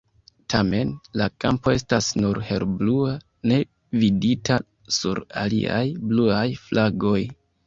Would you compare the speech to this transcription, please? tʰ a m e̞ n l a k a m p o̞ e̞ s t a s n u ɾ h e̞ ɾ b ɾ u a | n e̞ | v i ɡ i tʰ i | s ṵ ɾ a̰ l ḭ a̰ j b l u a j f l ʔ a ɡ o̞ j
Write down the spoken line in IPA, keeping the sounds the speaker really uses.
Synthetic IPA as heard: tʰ a m e̞ n l a k a m p o̞ e̞ s t a s n u ɾ h e̞ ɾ b l u a | n e̞ | v i d i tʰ a | s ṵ ɾ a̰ l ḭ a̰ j b l u a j f l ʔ a ɡ o̞ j

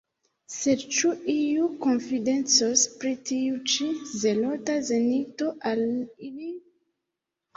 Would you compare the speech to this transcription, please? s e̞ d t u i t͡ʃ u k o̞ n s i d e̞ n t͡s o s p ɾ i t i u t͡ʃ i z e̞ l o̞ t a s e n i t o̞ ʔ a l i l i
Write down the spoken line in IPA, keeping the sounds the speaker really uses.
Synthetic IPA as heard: s e̞ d t͡ʃ u i u k o̞ n f i d e̞ n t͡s o s p ɾ i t i u t͡ʃ i z e̞ l o̞ t a z e n i t o̞ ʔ a l i l i

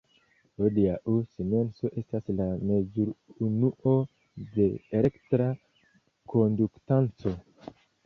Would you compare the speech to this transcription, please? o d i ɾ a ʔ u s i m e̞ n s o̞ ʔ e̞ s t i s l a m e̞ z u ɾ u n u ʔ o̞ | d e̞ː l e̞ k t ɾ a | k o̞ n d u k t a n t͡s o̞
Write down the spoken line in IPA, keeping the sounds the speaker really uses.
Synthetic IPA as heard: o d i a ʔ u s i m e̞ n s o̞ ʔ e̞ s t a s l a m e̞ z u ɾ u n u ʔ o̞ | d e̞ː l e̞ k t ɾ a | k o̞ n d u k t a n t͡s o̞

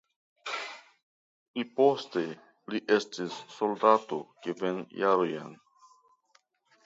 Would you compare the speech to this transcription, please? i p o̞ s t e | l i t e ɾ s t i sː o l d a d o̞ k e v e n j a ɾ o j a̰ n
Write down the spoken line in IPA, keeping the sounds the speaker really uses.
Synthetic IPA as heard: i p o̞ s t e | l i ʔ e s t i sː o l d a t o̞ k e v e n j a ɾ o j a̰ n

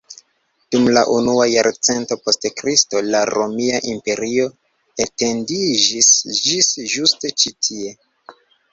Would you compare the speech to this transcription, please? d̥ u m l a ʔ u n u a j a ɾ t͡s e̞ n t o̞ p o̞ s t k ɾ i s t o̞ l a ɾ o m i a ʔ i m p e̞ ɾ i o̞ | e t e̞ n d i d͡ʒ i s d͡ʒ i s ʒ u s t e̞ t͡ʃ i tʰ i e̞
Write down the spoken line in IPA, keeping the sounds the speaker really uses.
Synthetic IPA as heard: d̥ u m l a ʔ u n u a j a ɾ t͡s e̞ n t o̞ p o̞ s t k ɾ i s t o̞ l a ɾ o m i a ʔ i m p e̞ ɾ i o̞ | e t e̞ n d i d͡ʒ i s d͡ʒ i s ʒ u s t e̞ t͡ʃ i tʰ i e̞

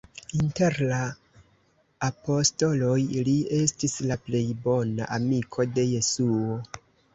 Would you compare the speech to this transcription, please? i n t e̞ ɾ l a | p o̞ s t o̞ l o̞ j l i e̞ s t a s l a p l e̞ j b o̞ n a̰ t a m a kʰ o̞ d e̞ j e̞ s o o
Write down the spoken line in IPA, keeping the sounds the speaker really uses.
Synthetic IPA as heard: i n t e̞ ɾ l a | p o̞ s t o̞ l o̞ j l i e̞ s t i s l a p l e̞ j b o̞ n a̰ ʔ a m i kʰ o̞ d e̞ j e̞ s u o

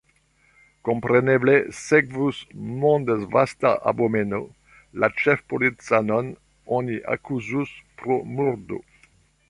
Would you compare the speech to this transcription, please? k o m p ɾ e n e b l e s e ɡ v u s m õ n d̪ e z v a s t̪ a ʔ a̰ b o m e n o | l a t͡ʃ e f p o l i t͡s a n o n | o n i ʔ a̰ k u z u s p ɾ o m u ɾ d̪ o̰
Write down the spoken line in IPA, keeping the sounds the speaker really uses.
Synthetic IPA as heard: k o m p ɾ e n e b l e s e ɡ v u s m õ n d̪ e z v a s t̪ a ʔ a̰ b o m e n o | l a t͡ʃ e f p o l i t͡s a n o n | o n i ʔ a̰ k u z u s p ɾ o m u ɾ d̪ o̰

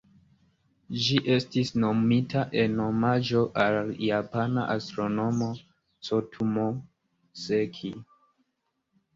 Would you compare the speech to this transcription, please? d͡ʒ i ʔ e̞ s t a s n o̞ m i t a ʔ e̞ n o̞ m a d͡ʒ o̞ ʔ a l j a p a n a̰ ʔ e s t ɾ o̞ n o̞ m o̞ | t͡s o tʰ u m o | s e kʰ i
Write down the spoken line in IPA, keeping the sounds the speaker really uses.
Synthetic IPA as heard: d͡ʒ i ʔ e̞ s t i s n o̞ m i t a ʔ e̞ n o̞ m a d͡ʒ o̞ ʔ a l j a p a n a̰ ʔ a s t ɾ o̞ n o̞ m o̞ | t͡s o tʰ u m o | s e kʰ i

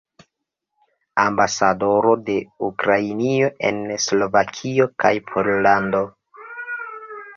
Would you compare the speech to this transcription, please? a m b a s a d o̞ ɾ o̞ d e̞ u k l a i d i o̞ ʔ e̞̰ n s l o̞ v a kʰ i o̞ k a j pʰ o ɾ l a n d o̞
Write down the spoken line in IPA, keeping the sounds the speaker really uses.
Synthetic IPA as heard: a m b a s a d o̞ ɾ o̞ d e̞ u k ɾ a i n i o̞ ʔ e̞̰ n s l o̞ v a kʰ i o̞ k a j pʰ o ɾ l a n d o̞

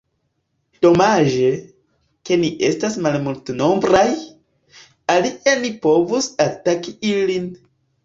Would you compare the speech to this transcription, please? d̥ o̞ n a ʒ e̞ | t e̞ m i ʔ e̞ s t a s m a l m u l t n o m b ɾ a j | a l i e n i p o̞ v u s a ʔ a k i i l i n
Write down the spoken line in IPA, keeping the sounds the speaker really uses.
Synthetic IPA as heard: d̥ o̞ m a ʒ e̞ | k e̞ n i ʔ e̞ s t a s m a l m u l t n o m b ɾ a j | a l i e n i p o̞ v u s a t a k i i l i n

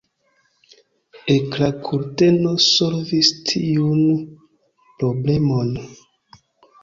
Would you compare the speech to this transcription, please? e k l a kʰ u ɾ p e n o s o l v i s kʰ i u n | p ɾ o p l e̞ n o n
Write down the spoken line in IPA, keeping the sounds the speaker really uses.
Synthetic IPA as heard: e k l a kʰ u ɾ t e n o s o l v i s tʰ i u n | p ɾ o b l e̞ m o n

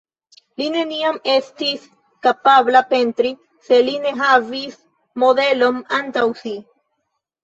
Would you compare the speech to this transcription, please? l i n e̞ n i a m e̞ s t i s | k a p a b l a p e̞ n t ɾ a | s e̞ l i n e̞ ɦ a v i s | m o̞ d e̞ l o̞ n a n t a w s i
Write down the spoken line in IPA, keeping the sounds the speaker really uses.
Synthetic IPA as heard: l i n e̞ n i a m e̞ s t i s | k a p a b l a p e̞ n t ɾ i | s e̞ l i n e̞ ɦ a v i s | m o̞ d e̞ l o̞ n a n t a w s i

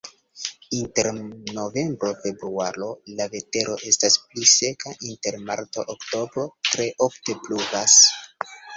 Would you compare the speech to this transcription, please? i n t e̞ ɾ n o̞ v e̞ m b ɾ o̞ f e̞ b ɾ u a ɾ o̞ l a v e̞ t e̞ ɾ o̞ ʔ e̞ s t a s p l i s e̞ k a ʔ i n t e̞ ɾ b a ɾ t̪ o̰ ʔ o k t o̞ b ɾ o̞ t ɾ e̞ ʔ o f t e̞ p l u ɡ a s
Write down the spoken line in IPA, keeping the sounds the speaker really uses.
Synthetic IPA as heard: i n t e̞ ɾ n o̞ v e̞ m b ɾ o̞ f e̞ b ɾ u a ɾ o̞ l a v e̞ t e̞ ɾ o̞ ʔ e̞ s t a s p l i s e̞ k a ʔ i n t e̞ ɾ m a ɾ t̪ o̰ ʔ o k t o̞ b ɾ o̞ t ɾ e̞ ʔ o f t e̞ p l u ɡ a s

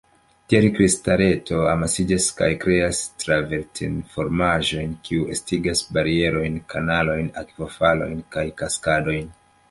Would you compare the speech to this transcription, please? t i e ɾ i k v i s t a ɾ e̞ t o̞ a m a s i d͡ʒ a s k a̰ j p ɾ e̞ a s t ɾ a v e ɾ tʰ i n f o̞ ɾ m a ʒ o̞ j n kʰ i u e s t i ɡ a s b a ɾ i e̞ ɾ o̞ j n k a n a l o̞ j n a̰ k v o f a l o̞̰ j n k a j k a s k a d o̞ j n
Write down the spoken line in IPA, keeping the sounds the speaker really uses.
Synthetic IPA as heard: t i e ɾ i k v i s t a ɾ e̞ t o̞ a m a s i d͡ʒ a s k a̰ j k ɾ e̞ a s t ɾ a v e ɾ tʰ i n f o̞ ɾ m a ʒ o̞ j n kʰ i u e s t i ɡ a s b a ɾ i e̞ ɾ o̞ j n k a n a l o̞ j n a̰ k v o f a l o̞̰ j n k a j k a s k a d o̞ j n

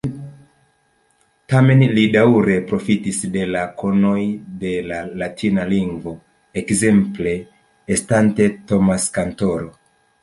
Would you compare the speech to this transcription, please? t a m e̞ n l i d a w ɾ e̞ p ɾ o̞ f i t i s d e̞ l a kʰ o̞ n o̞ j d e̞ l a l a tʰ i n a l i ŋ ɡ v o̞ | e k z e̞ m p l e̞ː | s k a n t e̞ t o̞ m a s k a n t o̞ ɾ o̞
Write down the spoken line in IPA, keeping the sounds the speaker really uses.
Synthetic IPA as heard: t a m e̞ n l i d a w ɾ e̞ p ɾ o̞ f i t i s d e̞ l a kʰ o̞ n o̞ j d e̞ l a l a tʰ i n a l i ŋ ɡ v o̞ | e k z e̞ m p l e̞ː | s t a n t e̞ t o̞ m a s k a n t o̞ ɾ o̞

